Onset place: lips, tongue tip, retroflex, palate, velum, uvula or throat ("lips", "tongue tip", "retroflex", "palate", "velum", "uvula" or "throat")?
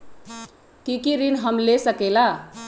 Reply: velum